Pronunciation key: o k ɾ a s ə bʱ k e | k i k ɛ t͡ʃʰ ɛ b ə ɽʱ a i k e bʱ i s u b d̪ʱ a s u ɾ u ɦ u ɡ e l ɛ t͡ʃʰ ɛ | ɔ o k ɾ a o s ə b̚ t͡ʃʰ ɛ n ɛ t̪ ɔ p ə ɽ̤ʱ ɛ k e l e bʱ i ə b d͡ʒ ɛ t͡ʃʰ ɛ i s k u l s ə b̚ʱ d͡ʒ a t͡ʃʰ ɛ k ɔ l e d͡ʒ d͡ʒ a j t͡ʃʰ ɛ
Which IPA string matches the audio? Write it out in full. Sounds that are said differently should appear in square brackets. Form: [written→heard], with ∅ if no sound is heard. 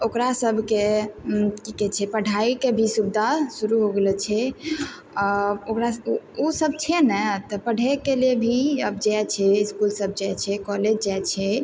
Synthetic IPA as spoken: o k ɾ a s ə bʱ k e | k i k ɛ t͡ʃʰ ɛ [b→p] ə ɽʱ a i k e bʱ i s u b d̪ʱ a s u ɾ u ɦ [u→o] ɡ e l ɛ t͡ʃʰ ɛ | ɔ o k ɾ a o s ə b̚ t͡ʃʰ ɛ n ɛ t̪ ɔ p ə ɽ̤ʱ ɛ k e l e bʱ i ə b d͡ʒ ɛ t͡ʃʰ ɛ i s k u l s ə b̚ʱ d͡ʒ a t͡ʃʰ ɛ k ɔ l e d͡ʒ d͡ʒ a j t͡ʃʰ ɛ